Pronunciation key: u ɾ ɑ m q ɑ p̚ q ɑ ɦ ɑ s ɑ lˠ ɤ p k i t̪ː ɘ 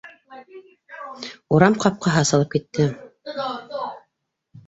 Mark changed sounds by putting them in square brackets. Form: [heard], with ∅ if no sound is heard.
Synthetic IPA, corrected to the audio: u ɾ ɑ m q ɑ p̚ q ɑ ɦ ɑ s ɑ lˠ ɤ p k i t̪ː ɘ